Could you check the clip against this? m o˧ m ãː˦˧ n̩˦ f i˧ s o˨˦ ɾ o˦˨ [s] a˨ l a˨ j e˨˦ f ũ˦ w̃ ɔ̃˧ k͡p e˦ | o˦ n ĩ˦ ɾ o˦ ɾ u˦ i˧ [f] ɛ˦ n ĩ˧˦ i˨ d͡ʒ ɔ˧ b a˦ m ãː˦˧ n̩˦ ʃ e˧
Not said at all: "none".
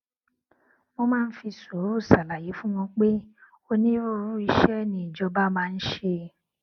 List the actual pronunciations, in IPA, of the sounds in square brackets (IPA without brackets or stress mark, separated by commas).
s, ʃ